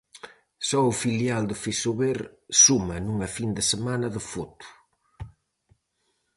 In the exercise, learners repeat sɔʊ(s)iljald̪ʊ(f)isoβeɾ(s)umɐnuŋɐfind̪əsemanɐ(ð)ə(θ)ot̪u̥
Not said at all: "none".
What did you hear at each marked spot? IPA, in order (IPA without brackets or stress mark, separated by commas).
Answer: f, f, s, ð, f